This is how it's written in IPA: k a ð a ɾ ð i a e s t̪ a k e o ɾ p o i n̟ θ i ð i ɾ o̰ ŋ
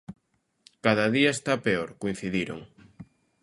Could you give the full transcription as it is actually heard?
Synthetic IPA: k a ð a ð i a e s t̪ a p e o ɾ k o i n̟ θ i ð i ɾ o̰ ŋ